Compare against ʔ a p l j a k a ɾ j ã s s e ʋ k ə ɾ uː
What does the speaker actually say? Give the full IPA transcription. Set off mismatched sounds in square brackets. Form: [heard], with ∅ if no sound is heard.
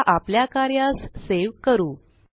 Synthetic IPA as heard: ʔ a p l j a k a ɾ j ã s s e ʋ k ə ɾ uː